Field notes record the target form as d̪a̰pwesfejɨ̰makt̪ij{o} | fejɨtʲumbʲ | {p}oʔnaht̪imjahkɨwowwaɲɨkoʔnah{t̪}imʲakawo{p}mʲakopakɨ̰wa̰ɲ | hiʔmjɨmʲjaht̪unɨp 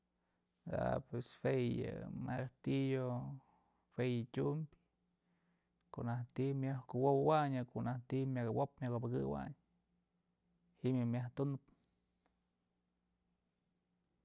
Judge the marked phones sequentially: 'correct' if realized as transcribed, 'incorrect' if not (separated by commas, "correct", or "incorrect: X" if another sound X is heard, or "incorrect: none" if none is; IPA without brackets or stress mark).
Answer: correct, incorrect: k, correct, correct